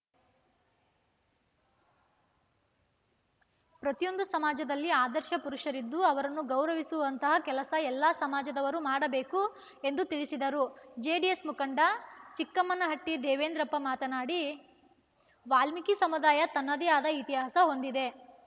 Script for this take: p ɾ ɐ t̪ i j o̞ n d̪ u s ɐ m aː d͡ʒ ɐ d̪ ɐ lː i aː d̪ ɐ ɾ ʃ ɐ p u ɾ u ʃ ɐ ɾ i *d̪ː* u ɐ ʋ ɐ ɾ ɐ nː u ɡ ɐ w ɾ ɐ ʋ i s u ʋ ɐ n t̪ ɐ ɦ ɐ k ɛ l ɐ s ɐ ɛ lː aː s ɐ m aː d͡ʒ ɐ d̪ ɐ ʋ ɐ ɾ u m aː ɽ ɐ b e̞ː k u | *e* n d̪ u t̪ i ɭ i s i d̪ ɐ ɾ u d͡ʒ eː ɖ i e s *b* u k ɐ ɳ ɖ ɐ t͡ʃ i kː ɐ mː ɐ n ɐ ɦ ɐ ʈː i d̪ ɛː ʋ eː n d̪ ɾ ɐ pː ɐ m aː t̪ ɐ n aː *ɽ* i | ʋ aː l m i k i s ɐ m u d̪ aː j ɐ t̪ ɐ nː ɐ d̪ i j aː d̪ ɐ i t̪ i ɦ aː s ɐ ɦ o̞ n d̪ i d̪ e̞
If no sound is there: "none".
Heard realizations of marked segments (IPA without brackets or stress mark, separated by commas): d̪ː, e, m, ɽ